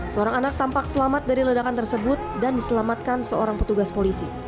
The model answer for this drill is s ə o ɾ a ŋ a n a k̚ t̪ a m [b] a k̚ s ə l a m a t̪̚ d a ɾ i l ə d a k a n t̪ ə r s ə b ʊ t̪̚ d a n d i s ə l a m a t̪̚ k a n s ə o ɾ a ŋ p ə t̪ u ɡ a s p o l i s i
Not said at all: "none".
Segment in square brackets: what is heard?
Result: p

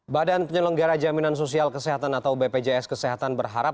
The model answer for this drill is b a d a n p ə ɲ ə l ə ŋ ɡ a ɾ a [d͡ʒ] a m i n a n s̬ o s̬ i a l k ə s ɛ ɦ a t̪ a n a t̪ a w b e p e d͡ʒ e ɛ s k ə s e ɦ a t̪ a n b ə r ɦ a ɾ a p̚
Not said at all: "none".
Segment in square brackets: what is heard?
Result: d͡ʒ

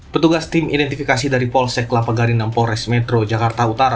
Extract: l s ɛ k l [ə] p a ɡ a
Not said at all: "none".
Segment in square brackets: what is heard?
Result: a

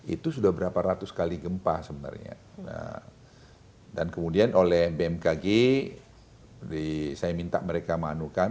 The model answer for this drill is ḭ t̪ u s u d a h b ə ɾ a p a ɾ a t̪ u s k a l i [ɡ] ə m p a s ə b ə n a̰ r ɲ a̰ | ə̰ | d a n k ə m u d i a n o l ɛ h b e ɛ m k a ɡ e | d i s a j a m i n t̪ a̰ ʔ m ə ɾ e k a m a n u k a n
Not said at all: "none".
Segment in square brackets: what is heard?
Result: ɡ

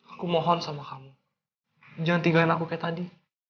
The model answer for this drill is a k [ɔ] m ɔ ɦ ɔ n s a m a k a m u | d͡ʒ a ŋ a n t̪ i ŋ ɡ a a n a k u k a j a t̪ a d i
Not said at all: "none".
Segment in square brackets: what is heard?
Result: u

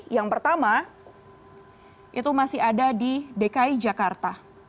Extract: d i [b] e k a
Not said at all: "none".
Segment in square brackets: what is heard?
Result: d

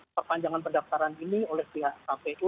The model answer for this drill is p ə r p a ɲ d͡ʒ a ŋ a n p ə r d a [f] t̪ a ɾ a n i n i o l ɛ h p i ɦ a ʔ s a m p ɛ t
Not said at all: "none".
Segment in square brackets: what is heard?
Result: f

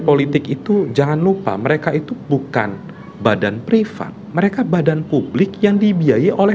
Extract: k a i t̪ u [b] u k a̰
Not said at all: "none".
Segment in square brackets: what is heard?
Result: b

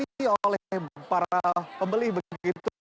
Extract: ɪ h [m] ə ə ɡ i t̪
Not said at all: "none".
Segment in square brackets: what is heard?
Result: b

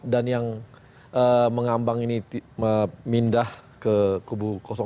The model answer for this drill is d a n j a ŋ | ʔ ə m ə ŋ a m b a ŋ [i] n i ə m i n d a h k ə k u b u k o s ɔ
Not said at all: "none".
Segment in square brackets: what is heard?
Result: i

